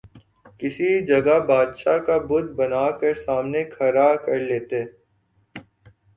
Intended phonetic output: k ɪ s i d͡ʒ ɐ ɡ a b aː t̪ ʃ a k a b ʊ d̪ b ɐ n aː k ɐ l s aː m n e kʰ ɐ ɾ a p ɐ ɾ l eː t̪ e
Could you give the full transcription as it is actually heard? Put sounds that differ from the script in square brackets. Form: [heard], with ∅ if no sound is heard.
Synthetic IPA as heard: k ɪ s i d͡ʒ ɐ ɡ a b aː [d̪] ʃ a k a b ʊ d̪ b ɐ n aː k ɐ [ɾ] s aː m n e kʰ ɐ ɾ a [k] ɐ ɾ l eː t̪ e